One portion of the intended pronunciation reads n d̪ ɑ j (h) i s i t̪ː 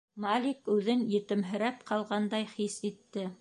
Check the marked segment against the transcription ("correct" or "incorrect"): incorrect